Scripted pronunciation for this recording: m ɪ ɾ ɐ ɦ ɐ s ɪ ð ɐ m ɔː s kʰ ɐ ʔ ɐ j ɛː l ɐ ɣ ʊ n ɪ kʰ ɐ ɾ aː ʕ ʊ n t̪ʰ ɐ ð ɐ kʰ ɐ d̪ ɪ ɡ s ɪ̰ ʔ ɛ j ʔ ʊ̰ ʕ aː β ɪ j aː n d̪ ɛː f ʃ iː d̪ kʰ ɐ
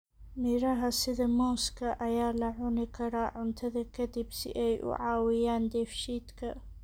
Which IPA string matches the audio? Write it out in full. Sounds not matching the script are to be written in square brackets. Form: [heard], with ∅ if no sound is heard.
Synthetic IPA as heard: m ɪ ɾ ɐ ɦ ɐ s ɪ ð ɐ m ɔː s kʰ ɐ ʔ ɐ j [aː] l ɐ [ʕ] ʊ n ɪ kʰ ɐ ɾ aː ʕ ʊ n t̪ʰ ɐ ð ɐ kʰ ɐ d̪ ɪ [b] s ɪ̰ ʔ ɛ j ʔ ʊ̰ ʕ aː [w] ɪ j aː n d̪ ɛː f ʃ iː d̪ kʰ ɐ